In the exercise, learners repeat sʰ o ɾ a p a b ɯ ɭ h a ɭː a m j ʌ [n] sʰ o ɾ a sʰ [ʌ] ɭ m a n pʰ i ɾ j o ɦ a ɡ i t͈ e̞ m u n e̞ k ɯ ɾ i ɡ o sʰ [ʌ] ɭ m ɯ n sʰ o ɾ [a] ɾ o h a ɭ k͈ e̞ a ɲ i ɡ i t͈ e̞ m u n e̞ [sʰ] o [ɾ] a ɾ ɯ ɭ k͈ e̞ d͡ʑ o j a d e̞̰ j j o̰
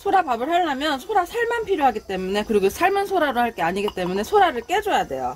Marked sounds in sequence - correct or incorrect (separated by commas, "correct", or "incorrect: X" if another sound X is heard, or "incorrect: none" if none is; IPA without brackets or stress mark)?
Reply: correct, incorrect: a, incorrect: a, correct, correct, correct